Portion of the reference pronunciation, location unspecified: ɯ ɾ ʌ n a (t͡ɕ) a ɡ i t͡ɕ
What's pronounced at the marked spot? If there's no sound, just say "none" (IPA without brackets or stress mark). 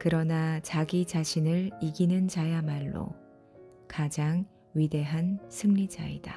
t͡ɕ